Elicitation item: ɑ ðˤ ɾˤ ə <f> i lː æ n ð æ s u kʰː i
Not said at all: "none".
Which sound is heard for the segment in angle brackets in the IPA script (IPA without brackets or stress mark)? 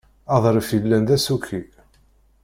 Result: f